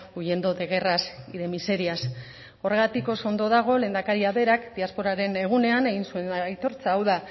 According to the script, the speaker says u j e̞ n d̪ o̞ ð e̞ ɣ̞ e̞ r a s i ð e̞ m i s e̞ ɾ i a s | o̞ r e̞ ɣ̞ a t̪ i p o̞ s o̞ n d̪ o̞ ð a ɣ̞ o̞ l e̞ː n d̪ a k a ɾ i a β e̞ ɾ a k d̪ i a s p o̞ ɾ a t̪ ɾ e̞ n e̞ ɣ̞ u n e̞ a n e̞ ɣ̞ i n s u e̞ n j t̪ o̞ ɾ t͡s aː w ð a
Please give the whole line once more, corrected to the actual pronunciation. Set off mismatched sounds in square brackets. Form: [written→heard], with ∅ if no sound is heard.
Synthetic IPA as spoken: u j e̞ n d̪ o̞ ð e̞ ɣ̞ e̞ r a s i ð e̞ m i s e̞ ɾ i a s | o̞ r e̞ ɣ̞ a t̪ i [p→k] o̞ s o̞ n d̪ o̞ ð a ɣ̞ o̞ l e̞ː n d̪ a k a ɾ i a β e̞ ɾ a k d̪ i a s p o̞ ɾ a [t̪→∅] ɾ e̞ n e̞ ɣ̞ u n e̞ a n e̞ ɣ̞ i n s u e̞ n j t̪ o̞ ɾ t͡s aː w ð a

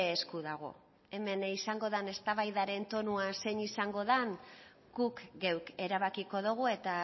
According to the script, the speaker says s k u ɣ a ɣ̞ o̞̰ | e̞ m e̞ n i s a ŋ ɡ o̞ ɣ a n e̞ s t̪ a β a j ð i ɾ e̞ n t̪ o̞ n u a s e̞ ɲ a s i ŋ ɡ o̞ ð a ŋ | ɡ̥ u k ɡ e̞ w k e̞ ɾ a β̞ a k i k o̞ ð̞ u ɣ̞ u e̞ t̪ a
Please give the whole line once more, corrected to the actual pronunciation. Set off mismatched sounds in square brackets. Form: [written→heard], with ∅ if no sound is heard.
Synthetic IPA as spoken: s k u [ɣ→ð] a ɣ̞ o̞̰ | e̞ m e̞ n i s a ŋ ɡ o̞ [ɣ→ð] a n e̞ s t̪ a β a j ð [i→a] ɾ e̞ n t̪ o̞ n u a s e̞ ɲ [a→i] s [i→a] ŋ ɡ o̞ ð a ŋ | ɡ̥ u k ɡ e̞ w k e̞ ɾ a β̞ a k i k o̞ ð̞ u ɣ̞ u e̞ t̪ a

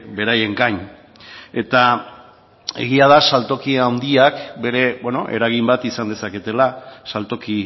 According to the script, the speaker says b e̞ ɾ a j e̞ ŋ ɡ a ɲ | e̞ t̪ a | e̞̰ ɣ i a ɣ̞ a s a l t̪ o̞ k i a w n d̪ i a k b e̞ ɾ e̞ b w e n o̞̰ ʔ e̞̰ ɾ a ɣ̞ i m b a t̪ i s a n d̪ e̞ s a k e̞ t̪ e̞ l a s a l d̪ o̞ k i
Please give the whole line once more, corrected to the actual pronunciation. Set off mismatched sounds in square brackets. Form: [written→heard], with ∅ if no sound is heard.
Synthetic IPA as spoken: b e̞ ɾ a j e̞ ŋ ɡ a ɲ | e̞ t̪ a | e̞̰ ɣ i a [ɣ̞→ð̞] a s a l t̪ o̞ k i a w n d̪ i a k b e̞ ɾ e̞ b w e n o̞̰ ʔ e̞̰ ɾ a ɣ̞ i m b a t̪ i s a n d̪ e̞ s a k e̞ t̪ e̞ l a s a l [d̪→t̪] o̞ k i

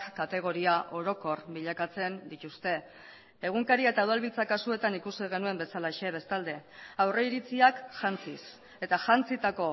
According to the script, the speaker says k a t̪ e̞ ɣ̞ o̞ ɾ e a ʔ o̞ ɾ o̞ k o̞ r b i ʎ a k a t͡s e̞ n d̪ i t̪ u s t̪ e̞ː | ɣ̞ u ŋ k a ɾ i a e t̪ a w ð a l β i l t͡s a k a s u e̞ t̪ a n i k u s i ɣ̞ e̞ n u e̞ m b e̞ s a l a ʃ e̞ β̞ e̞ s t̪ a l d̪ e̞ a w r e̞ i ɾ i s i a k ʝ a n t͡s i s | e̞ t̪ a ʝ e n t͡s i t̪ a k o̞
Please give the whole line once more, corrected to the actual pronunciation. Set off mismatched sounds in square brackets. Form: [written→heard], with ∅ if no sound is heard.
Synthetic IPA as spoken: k a t̪ e̞ ɣ̞ o̞ ɾ [e→i] a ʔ o̞ ɾ o̞ k o̞ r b i ʎ a k a t͡s e̞ n d̪ i t̪ u s t̪ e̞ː | ɣ̞ u ŋ k a ɾ i a e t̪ a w ð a l β i l t͡s a k a s u e̞ t̪ a n i k u s i ɣ̞ e̞ n u e̞ m b e̞ s a l a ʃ e̞ β̞ e̞ s t̪ a l d̪ e̞ a w r e̞ i ɾ i [s→t͡s] i a k ʝ a n t͡s i s | e̞ t̪ a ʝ [e→a] n t͡s i t̪ a k o̞

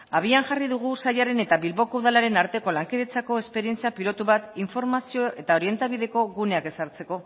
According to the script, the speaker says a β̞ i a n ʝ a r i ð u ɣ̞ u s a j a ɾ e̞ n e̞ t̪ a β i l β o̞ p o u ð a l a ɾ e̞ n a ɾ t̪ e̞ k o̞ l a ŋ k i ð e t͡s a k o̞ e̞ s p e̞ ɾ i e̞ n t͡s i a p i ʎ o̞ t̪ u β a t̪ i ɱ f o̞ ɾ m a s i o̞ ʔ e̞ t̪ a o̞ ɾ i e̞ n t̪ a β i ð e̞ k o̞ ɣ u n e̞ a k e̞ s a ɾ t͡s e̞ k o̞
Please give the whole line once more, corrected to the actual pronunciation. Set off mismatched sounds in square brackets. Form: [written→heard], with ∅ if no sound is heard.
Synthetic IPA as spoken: a β̞ i a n ʝ a r i ð u ɣ̞ u s a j a ɾ e̞ n e̞ t̪ a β i l β o̞ [p→k] o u ð a l a ɾ e̞ n a ɾ t̪ e̞ k o̞ l a ŋ k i ð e t͡s a k o̞ e̞ s p e̞ ɾ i e̞ n t͡s i a p i [ʎ→l] o̞ t̪ u β a t̪ i ɱ f o̞ ɾ m a s i o̞ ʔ e̞ t̪ a o̞ ɾ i e̞ n t̪ a β i ð e̞ k o̞ ɣ u n e̞ a k e̞ s a ɾ t͡s e̞ k o̞

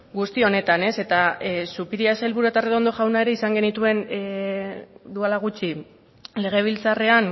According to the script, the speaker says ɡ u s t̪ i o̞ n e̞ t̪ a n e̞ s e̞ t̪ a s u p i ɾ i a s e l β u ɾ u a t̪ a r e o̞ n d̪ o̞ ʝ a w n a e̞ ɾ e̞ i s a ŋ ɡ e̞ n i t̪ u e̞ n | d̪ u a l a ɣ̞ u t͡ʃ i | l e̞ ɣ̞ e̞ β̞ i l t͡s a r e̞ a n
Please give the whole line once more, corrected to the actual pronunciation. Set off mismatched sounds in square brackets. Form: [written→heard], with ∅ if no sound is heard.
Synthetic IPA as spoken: ɡ u s t̪ i o̞ n e̞ t̪ a n e̞ s e̞ t̪ a s u p i ɾ i a s e l β u ɾ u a t̪ a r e o̞ n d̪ o̞ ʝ a w n a e̞ ɾ e̞ i s a ŋ ɡ e̞ n i t̪ u e̞ n | d̪ u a l a ɣ̞ u t͡ʃ i | l e̞ ɣ̞ e̞ β̞ i l t͡s a r e̞ a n

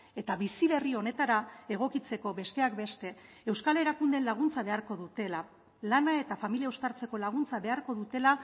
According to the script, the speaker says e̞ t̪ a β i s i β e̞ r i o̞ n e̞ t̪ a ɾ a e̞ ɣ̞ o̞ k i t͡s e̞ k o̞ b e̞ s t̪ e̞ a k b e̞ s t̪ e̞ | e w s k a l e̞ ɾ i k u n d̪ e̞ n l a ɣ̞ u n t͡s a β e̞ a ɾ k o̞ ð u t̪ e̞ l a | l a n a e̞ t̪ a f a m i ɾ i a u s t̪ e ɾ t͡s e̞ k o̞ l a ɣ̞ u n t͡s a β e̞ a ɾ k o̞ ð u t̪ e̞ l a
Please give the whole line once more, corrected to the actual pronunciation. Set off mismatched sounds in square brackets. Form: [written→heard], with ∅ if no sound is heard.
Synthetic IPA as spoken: e̞ t̪ a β i s i β e̞ r i o̞ n e̞ t̪ a ɾ a e̞ ɣ̞ o̞ k i t͡s e̞ k o̞ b e̞ s t̪ e̞ a k b e̞ s t̪ e̞ | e w s k a l e̞ ɾ [i→a] k u n d̪ e̞ n l a ɣ̞ u n t͡s a β e̞ a ɾ k o̞ ð u t̪ e̞ l a | l a n a e̞ t̪ a f a m i [ɾ→l] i a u s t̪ [e→a] ɾ t͡s e̞ k o̞ l a ɣ̞ u n t͡s a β e̞ a ɾ k o̞ ð u t̪ e̞ l a

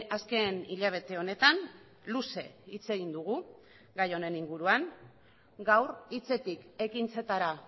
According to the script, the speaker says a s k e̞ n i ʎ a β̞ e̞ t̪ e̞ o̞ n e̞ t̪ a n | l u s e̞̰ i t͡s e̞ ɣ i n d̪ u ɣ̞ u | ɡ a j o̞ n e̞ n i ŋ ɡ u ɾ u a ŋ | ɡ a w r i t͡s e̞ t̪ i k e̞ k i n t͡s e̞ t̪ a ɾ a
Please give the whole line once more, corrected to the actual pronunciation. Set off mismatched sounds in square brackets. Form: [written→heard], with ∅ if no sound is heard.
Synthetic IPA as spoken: a s k e̞ n i ʎ a β̞ e̞ t̪ e̞ o̞ n e̞ t̪ a n | l u s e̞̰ i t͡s e̞ ɣ i n d̪ u ɣ̞ u | ɡ a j o̞ n e̞ n i ŋ ɡ u ɾ u a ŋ | ɡ a w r i t͡s e̞ t̪ i k e̞ k i n t͡s e̞ t̪ a ɾ a

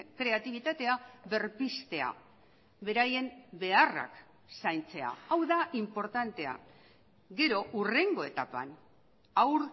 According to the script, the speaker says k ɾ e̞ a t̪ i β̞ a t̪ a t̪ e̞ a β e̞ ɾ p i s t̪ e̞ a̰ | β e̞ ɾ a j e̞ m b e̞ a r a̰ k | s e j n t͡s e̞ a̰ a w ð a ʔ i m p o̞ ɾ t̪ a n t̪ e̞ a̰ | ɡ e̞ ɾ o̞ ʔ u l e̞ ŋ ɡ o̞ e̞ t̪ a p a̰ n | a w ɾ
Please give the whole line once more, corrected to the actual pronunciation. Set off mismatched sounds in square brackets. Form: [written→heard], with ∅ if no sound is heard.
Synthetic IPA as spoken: k ɾ e̞ a t̪ i β̞ [a→i] t̪ a t̪ e̞ a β e̞ ɾ p i s t̪ e̞ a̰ | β e̞ ɾ a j e̞ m b e̞ a r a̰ k | s [e→a] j n t͡s e̞ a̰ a w ð a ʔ i m p o̞ ɾ t̪ a n t̪ e̞ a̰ | ɡ e̞ ɾ o̞ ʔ u [l→r] e̞ ŋ ɡ o̞ e̞ t̪ a p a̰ n | a w ɾ

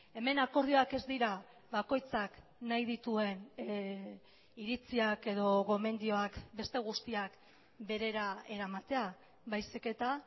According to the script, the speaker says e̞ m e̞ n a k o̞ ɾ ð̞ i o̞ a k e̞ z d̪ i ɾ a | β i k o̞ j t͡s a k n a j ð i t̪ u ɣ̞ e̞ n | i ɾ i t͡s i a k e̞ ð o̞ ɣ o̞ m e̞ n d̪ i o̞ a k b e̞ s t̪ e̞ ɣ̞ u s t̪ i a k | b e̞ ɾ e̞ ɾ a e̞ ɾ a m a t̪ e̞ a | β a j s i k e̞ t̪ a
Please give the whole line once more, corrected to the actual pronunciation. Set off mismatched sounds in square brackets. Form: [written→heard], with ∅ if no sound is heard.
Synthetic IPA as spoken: e̞ m e̞ n a k o̞ ɾ ð̞ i o̞ a k e̞ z d̪ i ɾ a | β [i→a] k o̞ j t͡s a k n a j ð i t̪ u [ɣ̞→∅] e̞ n | i ɾ i t͡s i a k e̞ ð o̞ ɣ o̞ m e̞ n d̪ i o̞ a k b e̞ s t̪ e̞ ɣ̞ u s t̪ i a k | b e̞ ɾ e̞ ɾ a e̞ ɾ a m a t̪ e̞ a | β a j s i k e̞ t̪ a

